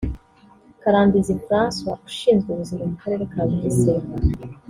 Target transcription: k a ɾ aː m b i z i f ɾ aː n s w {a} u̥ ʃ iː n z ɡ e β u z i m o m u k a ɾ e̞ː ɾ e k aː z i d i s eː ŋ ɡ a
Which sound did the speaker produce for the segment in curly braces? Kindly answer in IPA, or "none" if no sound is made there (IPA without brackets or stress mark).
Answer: a